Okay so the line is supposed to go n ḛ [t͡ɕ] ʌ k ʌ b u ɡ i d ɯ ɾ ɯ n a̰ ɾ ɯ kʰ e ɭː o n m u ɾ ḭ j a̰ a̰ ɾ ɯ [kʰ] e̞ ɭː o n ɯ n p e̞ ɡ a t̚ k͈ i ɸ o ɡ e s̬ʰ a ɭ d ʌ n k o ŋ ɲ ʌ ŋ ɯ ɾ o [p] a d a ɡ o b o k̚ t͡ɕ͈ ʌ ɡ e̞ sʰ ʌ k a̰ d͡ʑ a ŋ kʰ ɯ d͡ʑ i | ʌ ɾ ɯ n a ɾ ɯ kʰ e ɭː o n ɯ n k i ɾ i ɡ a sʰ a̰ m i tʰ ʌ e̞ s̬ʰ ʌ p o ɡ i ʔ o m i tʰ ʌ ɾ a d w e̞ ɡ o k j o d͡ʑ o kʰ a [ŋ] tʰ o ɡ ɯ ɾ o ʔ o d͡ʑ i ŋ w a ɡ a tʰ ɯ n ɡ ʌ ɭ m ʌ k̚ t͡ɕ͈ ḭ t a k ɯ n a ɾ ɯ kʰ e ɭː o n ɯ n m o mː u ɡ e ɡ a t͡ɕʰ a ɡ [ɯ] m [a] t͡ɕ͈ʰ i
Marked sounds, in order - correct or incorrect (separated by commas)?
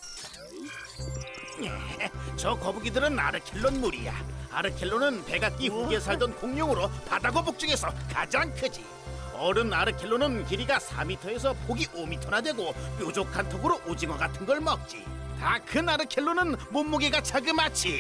correct, correct, correct, incorrect, correct, correct